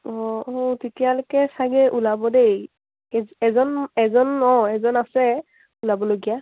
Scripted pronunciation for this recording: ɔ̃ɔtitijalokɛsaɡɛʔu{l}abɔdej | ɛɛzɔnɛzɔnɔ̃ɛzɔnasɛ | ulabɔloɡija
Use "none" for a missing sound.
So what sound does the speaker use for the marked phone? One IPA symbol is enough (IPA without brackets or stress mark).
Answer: l